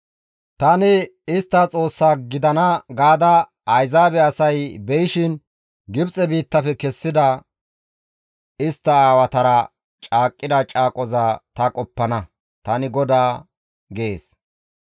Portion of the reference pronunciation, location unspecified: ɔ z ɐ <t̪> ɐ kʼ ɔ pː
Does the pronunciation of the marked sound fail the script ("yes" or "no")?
no